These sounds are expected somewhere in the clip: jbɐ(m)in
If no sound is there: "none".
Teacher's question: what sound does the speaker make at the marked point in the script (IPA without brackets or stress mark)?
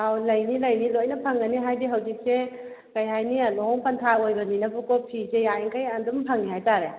n